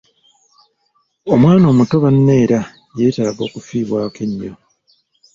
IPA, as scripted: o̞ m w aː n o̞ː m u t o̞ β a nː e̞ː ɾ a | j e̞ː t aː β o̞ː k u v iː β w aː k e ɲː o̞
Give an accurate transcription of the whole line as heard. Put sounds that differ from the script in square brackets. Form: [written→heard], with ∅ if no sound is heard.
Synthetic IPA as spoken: o̞ m w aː n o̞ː m u t o̞ β a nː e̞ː ɾ a | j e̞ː t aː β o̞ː k u [v→f] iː β w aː k e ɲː o̞